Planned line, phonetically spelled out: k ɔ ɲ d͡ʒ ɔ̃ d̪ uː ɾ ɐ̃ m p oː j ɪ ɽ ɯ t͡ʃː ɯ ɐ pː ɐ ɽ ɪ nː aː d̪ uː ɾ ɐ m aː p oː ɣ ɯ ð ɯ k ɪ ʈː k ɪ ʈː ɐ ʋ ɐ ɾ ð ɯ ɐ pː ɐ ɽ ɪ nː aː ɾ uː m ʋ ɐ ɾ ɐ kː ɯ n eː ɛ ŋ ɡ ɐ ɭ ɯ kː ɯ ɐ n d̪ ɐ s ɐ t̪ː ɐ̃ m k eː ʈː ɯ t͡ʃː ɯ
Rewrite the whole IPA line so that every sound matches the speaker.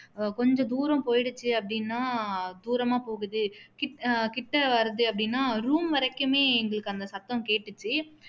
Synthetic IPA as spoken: k ɔ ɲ d͡ʒ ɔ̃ d̪ uː ɾ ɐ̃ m p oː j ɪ ɽ ɯ t͡ʃː ɯ ɐ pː ɐ ɽ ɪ nː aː d̪ uː ɾ ɐ m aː p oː ɣ ɯ ð ɯ k ɪ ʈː k ɪ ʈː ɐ ʋ ɐ ɾ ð ɯ ɐ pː ɐ ɽ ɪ nː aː ɾ uː m ʋ ɐ ɾ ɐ kː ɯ m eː ɛ ŋ ɡ ɐ ɭ ɯ kː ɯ ɐ n d̪ ɐ s ɐ t̪ː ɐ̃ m k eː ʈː ɯ t͡ʃː ɯ